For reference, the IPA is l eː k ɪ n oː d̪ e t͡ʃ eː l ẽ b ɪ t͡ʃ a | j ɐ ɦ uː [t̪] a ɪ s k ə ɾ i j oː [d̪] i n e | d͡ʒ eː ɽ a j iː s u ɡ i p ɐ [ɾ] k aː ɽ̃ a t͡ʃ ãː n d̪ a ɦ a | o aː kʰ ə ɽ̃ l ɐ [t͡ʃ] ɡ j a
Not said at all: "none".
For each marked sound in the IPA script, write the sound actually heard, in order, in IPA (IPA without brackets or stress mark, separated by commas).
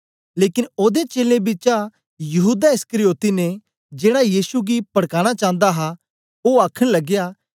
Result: d̪, t̪, ɽ, none